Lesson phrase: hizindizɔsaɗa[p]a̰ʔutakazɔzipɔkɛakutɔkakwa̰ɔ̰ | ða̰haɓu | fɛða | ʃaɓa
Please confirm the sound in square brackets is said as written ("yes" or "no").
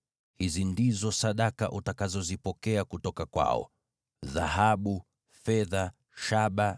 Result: no